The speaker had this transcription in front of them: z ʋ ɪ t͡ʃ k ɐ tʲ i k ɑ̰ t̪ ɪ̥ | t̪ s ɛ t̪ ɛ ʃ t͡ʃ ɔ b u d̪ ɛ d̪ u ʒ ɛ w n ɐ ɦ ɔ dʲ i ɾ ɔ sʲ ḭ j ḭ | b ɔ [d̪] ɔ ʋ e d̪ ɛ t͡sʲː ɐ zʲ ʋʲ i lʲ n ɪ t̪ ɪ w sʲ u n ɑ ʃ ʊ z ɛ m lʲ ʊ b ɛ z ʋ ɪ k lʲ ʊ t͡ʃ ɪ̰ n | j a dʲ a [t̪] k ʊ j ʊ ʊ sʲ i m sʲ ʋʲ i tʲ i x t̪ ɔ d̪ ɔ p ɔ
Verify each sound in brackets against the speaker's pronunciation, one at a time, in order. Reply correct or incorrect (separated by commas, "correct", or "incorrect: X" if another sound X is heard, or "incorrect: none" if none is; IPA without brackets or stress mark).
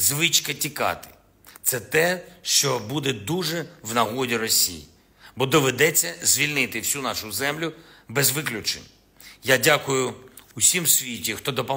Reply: correct, incorrect: none